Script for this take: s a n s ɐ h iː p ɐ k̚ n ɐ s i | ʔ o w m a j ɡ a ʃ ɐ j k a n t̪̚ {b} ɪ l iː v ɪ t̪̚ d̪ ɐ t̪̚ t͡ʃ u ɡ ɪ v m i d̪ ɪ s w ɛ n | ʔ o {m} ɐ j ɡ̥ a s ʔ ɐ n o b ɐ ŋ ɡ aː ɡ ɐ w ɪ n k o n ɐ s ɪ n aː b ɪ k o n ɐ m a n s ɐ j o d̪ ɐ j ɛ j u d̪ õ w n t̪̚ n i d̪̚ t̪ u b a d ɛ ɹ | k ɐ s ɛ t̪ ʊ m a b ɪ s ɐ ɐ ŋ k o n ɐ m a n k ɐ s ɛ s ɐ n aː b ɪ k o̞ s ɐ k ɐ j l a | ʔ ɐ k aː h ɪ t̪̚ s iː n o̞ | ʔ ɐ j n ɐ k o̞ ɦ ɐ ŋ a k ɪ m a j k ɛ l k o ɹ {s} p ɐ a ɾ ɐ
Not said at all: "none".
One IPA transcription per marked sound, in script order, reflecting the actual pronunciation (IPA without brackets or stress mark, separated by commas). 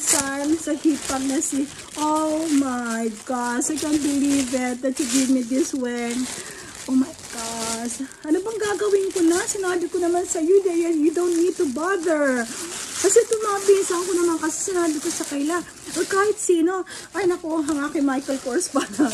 b, m, s